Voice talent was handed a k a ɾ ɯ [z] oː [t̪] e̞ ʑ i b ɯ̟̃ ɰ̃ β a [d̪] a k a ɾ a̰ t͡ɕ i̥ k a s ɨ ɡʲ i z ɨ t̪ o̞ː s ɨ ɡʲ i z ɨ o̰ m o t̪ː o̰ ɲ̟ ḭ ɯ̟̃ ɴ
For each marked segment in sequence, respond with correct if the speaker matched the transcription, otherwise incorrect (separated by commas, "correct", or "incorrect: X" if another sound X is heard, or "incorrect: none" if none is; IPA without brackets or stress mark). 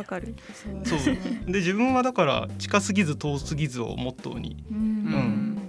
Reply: incorrect: s, incorrect: d̪, correct